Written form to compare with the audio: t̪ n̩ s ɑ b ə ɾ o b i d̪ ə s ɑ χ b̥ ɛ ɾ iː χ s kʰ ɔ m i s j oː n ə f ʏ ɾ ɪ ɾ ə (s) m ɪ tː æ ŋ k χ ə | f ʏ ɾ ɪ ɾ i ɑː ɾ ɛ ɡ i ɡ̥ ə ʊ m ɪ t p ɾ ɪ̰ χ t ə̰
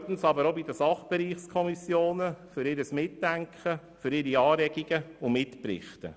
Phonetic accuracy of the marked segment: correct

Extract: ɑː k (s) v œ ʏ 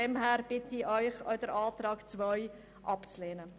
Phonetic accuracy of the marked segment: incorrect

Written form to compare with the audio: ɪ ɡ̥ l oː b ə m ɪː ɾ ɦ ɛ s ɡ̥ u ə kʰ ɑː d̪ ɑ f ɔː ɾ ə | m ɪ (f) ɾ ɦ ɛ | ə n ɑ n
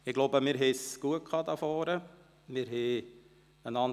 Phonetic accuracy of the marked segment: incorrect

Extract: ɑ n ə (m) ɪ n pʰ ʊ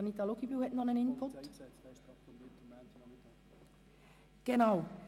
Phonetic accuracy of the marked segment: incorrect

